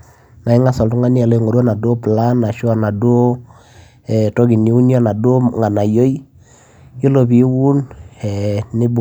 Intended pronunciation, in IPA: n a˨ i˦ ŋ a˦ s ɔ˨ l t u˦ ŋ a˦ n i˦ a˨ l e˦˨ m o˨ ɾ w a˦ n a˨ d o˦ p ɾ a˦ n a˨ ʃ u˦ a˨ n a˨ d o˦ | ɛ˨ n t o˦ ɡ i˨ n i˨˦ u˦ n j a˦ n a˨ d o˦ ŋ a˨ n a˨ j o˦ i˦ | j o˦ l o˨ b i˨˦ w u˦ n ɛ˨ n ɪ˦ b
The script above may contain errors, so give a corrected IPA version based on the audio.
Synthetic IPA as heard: n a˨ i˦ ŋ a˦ s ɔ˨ l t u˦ ŋ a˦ n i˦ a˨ l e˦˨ ŋ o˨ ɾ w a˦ n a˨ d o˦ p l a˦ n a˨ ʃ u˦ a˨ n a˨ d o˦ | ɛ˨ t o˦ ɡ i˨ n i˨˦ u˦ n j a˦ n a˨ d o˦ ŋ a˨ n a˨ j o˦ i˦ | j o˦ l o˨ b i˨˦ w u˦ n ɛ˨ n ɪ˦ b